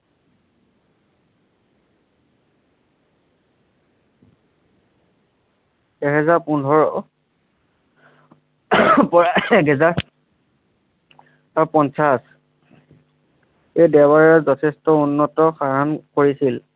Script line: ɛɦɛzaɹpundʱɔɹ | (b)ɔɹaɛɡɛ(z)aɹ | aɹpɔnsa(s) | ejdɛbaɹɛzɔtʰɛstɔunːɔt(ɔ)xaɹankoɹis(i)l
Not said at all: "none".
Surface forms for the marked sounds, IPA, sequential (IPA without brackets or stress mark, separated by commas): p, z, s, ɔ, i